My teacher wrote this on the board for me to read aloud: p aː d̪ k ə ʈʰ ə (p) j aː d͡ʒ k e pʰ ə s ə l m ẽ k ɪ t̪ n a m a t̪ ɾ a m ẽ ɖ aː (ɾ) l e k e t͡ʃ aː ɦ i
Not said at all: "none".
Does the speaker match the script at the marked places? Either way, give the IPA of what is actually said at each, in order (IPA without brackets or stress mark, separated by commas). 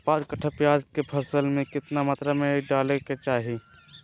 p, none